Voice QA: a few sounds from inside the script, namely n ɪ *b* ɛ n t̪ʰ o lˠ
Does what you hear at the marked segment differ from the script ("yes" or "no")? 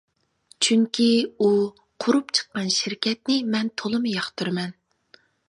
yes